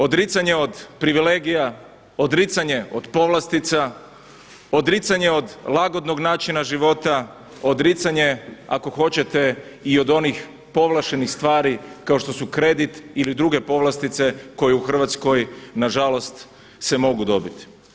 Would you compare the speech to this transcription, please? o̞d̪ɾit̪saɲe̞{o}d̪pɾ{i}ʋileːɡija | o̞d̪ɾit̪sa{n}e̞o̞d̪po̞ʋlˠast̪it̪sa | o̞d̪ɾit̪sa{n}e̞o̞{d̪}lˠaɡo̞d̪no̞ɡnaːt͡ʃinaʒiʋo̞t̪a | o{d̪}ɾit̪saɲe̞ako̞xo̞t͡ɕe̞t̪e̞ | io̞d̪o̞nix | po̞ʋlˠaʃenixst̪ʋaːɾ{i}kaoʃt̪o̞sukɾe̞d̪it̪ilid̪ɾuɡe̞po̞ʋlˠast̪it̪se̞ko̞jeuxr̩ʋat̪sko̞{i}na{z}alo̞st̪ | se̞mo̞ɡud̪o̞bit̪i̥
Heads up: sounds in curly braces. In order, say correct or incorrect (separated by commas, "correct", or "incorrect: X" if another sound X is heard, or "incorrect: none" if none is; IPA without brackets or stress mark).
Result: correct, correct, incorrect: ɲ, incorrect: ɲ, correct, correct, correct, incorrect: j, incorrect: ʒ